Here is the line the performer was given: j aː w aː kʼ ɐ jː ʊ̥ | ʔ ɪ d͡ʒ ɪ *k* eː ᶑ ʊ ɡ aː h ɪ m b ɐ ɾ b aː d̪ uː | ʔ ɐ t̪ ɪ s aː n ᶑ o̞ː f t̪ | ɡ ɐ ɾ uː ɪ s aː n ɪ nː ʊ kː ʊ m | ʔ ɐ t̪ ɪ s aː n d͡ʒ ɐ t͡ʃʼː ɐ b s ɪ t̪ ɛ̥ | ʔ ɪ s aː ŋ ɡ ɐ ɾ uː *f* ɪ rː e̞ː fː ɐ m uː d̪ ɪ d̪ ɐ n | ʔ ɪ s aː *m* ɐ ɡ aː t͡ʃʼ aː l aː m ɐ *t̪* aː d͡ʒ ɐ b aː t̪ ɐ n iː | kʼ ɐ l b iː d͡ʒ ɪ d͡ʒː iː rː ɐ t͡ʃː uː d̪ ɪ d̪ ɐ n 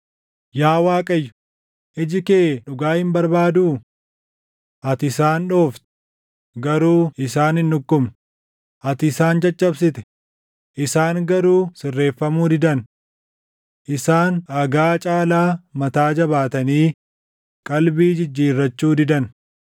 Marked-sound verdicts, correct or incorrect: correct, incorrect: s, incorrect: n, correct

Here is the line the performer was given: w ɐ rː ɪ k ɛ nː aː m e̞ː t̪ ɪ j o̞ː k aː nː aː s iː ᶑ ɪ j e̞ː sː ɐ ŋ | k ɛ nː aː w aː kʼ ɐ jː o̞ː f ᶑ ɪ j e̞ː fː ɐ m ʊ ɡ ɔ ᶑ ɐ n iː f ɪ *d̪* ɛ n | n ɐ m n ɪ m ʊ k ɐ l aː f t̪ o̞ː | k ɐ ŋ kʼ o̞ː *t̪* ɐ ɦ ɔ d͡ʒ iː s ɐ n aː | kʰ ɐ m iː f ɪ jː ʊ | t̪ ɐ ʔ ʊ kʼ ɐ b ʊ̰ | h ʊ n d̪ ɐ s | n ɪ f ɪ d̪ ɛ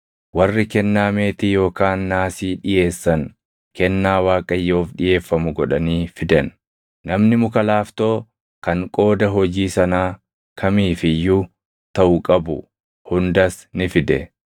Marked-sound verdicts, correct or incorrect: correct, incorrect: d̪

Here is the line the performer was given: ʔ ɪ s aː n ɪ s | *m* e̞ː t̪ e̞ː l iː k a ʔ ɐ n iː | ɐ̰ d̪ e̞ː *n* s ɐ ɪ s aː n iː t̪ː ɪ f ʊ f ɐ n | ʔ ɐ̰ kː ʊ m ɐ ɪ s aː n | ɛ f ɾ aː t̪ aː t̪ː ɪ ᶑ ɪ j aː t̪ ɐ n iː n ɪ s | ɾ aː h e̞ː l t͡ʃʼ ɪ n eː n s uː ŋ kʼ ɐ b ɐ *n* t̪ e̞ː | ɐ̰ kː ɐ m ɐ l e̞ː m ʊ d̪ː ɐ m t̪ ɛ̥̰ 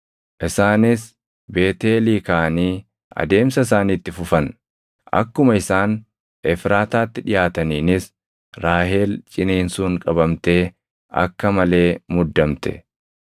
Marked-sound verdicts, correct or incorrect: incorrect: b, incorrect: m, incorrect: m

